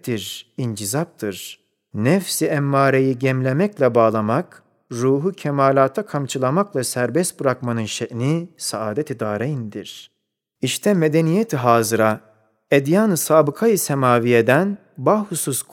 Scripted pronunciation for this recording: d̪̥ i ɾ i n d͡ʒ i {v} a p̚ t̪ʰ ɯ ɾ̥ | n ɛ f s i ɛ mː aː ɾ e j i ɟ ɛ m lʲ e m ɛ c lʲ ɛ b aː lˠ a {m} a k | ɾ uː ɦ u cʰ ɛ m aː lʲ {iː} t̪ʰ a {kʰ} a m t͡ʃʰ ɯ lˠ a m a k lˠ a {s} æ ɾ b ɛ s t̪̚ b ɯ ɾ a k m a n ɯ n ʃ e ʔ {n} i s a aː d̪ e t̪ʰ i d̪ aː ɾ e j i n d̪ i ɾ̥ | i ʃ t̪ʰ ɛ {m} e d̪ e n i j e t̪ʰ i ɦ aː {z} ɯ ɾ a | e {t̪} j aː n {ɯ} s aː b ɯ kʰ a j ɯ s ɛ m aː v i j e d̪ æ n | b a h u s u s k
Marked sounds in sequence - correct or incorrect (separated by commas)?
incorrect, correct, incorrect, correct, correct, correct, correct, correct, incorrect, correct